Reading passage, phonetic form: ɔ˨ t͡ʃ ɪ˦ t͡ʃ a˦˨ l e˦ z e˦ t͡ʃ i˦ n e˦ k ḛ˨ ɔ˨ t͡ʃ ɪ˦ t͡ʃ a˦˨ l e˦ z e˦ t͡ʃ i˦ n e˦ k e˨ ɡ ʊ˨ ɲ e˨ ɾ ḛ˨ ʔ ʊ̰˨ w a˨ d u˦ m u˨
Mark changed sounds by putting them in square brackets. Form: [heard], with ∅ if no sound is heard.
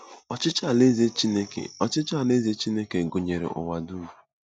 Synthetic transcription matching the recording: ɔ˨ t͡ʃ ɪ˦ t͡ʃ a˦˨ l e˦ z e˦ t͡ʃ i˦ n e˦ k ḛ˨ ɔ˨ t͡ʃ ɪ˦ t͡ʃ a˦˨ l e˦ z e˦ t͡ʃ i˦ n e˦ k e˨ ɡ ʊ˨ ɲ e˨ ɾ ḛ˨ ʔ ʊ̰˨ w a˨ d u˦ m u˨

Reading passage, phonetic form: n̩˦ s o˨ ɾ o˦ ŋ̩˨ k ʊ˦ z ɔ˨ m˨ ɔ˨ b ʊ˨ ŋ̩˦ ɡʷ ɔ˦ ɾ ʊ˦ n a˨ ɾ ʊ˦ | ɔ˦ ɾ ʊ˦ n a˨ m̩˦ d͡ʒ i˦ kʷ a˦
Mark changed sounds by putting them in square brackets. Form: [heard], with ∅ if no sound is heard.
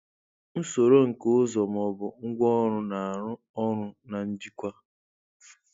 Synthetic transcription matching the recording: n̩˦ s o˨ ɾ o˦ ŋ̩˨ k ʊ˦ z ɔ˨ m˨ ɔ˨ b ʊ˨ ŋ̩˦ ɡʷ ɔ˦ ɾ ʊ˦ n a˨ ɾ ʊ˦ | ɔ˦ ɾ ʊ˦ n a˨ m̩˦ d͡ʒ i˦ kʷ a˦

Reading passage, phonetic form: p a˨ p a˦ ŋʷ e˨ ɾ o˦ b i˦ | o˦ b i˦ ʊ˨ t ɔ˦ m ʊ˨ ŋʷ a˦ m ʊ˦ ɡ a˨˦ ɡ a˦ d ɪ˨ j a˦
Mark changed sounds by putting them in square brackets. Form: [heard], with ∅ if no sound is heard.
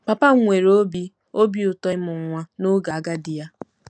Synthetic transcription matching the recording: p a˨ p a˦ ŋʷ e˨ ɾ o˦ b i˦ | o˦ b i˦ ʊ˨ t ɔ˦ m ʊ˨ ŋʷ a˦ [n] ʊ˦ ɡ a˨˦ ɡ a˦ d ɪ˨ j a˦

